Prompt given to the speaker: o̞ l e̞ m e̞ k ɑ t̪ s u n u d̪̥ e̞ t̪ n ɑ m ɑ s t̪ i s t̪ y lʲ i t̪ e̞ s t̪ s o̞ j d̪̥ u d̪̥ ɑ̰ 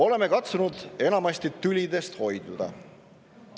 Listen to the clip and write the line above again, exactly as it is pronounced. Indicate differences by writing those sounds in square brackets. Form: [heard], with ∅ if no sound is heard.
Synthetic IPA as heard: o̞ l e̞ m e̞ k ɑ t̪ s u n u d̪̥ e̞ [∅] n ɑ m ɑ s t̪ i [∅] t̪ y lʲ i [d̪] e̞ s t̪ [h] o̞ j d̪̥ u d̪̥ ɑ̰